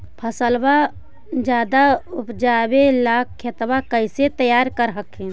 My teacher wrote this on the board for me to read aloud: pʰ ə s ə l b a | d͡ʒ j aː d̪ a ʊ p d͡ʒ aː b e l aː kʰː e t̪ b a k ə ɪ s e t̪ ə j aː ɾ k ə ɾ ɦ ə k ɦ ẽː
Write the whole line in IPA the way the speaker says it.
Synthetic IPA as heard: pʰ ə s ə l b a | d͡ʒ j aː d̪ a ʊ p d͡ʒ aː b e l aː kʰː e t̪ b a k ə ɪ s e t̪ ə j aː ɾ k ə ɾ ɦ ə k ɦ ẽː